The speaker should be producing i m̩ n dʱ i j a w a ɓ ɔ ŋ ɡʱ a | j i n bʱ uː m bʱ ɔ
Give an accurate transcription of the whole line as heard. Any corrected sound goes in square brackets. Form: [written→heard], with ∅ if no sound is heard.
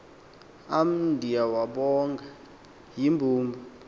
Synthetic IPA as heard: [i→a] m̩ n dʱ i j a w a ɓ ɔ ŋ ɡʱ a | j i [n→m] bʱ uː m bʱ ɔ